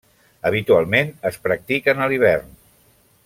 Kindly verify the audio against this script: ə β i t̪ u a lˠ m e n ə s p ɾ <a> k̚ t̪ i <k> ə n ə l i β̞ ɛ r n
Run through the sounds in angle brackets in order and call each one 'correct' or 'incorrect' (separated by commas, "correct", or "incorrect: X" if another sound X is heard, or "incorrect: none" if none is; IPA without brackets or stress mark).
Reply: incorrect: ə, correct